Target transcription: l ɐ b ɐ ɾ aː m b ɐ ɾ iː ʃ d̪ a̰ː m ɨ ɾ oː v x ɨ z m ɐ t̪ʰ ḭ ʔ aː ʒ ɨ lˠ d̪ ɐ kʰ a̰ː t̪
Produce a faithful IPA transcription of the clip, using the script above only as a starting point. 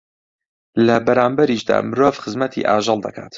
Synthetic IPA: l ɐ b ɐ ɾ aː m b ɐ ɾ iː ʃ d̪ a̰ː m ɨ ɾ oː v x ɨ z m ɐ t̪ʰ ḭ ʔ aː ʒ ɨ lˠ d̪ ɐ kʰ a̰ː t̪